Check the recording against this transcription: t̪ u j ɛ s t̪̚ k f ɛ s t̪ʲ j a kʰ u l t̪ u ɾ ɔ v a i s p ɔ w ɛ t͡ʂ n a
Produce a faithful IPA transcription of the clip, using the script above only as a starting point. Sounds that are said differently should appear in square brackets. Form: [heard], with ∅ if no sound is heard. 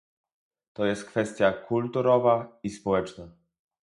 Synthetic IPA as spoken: t̪ [ɔ] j ɛ s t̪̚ k f ɛ s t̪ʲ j a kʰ u l t̪ u ɾ ɔ v a i s p ɔ w ɛ t͡ʂ n a